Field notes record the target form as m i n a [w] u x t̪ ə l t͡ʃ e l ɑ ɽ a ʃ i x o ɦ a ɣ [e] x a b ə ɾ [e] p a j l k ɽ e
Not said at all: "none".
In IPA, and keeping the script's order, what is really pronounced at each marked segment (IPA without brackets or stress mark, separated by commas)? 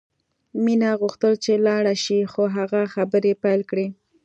ɣ, a, e